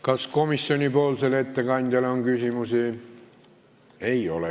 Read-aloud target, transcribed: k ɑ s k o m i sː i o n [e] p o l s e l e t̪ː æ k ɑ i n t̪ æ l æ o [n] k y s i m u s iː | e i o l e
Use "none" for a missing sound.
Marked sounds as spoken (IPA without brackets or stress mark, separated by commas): i, ŋ